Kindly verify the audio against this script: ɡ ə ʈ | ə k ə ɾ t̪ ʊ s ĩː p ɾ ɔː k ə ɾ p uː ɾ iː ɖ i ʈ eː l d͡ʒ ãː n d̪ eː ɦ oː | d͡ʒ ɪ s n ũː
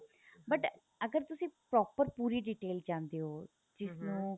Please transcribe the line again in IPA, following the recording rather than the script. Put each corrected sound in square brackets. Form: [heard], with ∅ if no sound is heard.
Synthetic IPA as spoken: [b] ə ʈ | ə [ɡ] ə ɾ t̪ ʊ s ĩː p ɾ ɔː [p] ə ɾ p uː ɾ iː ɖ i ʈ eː l d͡ʒ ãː n d̪ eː ɦ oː | d͡ʒ ɪ s n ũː